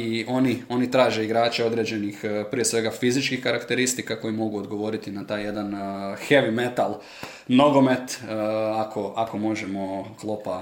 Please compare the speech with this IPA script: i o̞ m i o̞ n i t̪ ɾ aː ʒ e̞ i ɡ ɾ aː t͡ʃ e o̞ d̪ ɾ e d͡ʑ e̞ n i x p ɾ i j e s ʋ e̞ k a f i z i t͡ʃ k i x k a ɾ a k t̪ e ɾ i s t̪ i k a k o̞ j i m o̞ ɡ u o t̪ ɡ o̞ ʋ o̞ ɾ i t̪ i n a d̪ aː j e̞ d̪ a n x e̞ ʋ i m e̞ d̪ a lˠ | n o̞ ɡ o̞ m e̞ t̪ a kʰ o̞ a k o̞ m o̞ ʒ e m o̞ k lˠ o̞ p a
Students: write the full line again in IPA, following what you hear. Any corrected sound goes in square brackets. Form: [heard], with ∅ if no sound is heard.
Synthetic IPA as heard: i o̞ [n] i o̞ n i t̪ ɾ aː ʒ e̞ i ɡ ɾ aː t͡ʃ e o̞ d̪ ɾ e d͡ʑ e̞ n i x p ɾ i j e s ʋ e̞ [ɡ] a f i z i t͡ʃ k i x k a ɾ a k t̪ e ɾ i s t̪ i k a k o̞ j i m o̞ ɡ u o [d̪] ɡ o̞ ʋ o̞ ɾ i t̪ i n a [t̪] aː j e̞ d̪ a n x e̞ ʋ i m e̞ [t̪] a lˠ | n o̞ ɡ o̞ m e̞ t̪ a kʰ o̞ a k o̞ m o̞ ʒ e m o̞ k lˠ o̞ p a